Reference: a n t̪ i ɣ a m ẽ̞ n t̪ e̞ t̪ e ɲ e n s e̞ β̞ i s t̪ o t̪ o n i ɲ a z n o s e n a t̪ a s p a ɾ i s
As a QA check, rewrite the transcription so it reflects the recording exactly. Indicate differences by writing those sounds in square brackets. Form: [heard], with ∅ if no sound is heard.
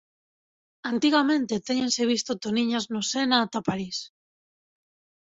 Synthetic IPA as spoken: a n t̪ i ɣ a m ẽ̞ n t̪ e̞ t̪ e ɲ e n s e̞ β̞ i s t̪ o t̪ o n i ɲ a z n o s e n a t̪ a [∅] p a ɾ i s